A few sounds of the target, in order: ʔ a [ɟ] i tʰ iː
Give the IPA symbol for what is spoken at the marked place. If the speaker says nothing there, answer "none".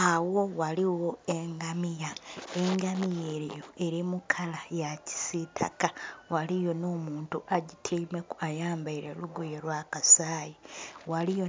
ɟ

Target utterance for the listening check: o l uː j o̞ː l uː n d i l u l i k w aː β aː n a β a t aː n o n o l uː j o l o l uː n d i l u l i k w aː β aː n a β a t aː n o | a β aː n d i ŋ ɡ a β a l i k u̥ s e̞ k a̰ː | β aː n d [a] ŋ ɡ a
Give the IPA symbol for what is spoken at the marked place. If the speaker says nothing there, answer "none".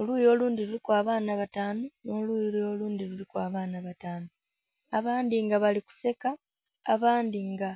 i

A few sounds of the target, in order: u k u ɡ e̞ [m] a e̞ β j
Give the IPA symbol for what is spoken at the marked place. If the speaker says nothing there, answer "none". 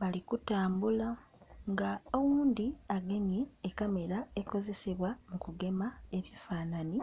m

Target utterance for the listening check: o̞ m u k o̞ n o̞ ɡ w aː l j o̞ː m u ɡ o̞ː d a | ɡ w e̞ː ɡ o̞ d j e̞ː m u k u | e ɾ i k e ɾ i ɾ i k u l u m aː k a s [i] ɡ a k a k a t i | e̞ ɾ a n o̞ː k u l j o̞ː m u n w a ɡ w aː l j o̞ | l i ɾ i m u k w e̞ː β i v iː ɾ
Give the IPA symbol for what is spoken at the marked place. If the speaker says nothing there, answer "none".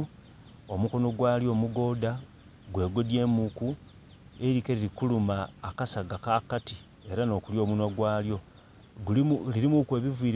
a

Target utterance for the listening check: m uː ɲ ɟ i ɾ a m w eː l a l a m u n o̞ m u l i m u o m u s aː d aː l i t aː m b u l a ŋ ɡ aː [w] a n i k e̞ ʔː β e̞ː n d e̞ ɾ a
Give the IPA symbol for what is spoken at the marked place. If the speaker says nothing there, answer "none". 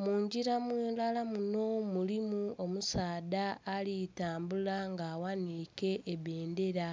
w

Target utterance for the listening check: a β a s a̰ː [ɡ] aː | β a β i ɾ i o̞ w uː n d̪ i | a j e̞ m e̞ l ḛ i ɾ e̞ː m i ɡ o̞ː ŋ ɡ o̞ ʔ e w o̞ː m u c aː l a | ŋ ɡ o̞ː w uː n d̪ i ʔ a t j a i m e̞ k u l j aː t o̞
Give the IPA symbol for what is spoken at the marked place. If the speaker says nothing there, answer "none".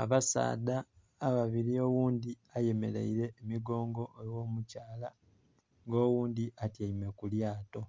d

